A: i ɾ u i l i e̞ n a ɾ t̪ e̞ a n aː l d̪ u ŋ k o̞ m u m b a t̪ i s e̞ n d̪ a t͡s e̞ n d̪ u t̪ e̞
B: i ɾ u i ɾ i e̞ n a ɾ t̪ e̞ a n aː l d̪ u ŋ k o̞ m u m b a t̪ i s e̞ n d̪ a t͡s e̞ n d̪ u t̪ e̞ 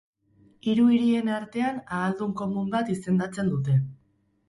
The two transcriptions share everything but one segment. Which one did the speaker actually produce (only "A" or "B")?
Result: B